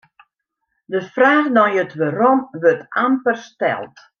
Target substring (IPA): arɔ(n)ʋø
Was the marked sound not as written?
yes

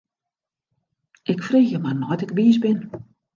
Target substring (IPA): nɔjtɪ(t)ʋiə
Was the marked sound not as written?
yes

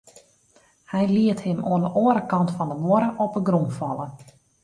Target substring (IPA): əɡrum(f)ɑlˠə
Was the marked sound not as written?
no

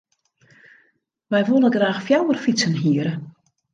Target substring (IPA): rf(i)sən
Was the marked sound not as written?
no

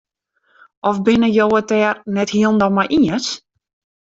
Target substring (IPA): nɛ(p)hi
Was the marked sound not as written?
yes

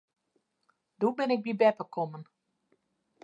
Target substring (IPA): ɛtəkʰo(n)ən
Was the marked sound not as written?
yes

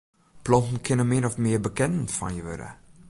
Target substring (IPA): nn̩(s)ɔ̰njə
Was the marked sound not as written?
yes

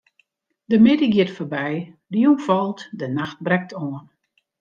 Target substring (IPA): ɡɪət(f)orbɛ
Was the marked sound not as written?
no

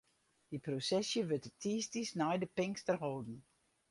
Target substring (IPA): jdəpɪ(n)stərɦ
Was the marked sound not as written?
yes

